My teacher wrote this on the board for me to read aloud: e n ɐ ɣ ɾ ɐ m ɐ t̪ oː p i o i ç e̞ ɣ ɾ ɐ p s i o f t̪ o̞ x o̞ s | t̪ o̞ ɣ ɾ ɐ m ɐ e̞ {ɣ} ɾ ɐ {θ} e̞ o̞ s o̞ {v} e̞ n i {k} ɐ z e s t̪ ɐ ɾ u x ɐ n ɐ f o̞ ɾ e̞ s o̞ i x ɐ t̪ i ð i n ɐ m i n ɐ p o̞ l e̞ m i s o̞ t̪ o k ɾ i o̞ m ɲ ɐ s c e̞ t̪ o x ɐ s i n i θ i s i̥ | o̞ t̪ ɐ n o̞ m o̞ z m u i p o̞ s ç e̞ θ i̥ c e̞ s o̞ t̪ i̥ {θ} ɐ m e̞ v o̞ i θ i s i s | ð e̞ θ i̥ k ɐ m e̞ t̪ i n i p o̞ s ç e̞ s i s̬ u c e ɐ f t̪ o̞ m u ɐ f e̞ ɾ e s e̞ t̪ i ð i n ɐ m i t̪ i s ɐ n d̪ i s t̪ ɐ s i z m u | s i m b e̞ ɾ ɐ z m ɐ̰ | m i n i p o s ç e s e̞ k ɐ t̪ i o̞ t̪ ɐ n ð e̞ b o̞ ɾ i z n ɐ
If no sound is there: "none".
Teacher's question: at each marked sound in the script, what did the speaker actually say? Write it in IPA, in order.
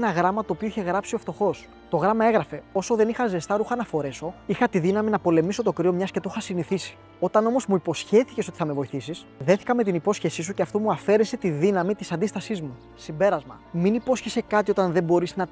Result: ɣ, f, ð, x, θ

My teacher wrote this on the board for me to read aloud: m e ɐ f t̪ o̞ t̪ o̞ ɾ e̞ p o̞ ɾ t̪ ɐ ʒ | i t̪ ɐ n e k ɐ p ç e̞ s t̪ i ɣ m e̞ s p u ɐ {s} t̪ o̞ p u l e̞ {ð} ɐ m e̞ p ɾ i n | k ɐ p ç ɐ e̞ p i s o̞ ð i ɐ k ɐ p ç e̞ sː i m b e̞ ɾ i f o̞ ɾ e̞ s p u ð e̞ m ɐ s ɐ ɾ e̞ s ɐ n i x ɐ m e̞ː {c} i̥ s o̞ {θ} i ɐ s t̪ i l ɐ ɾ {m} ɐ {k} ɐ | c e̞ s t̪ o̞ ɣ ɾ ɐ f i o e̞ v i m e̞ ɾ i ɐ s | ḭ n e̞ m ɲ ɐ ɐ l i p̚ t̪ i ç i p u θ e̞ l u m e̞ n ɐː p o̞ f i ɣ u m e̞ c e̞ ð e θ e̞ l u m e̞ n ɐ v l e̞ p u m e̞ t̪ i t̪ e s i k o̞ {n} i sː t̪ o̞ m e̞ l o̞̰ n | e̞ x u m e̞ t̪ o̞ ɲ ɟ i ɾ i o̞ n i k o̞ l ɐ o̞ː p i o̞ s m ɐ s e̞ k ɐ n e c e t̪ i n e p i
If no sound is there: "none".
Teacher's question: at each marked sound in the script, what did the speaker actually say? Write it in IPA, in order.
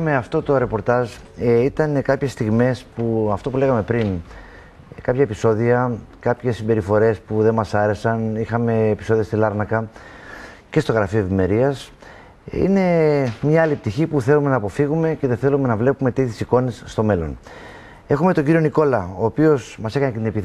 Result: f, ɣ, p, ð, n, k, n

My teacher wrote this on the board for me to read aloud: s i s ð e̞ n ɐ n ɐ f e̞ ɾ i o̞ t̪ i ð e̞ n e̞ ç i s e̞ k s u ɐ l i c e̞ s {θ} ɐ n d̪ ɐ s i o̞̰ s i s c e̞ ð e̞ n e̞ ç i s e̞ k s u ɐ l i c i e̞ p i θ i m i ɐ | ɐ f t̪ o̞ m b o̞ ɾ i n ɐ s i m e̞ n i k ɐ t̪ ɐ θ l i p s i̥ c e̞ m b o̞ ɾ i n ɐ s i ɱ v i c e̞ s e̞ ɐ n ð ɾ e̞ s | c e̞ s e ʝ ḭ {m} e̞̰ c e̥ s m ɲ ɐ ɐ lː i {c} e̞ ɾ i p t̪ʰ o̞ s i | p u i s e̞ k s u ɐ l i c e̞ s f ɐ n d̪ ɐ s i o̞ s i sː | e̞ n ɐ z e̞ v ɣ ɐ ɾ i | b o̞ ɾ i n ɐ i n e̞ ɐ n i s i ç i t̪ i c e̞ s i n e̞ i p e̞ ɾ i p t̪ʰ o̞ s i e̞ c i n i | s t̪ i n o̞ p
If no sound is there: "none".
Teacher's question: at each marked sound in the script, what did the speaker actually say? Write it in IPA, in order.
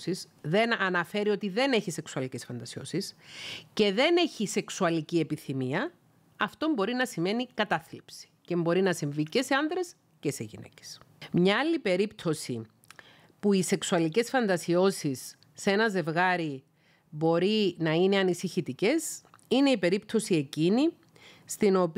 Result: f, n, p

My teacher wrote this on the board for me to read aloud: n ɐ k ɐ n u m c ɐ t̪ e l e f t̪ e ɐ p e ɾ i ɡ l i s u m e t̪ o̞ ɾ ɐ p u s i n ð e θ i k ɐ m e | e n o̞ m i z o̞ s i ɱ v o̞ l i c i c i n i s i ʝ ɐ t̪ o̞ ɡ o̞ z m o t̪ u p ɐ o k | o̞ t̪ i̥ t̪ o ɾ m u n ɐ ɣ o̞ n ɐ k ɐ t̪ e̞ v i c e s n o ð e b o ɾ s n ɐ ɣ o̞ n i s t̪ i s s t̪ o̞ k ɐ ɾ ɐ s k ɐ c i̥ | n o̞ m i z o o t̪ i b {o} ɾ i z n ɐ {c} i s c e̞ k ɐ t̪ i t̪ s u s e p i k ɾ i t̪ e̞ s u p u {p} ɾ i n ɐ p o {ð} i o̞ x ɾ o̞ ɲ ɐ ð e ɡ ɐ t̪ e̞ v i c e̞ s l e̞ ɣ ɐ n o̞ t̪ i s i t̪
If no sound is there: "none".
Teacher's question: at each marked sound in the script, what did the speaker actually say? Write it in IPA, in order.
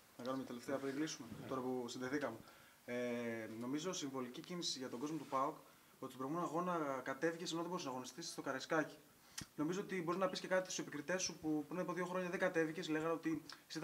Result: o, p, p, ð

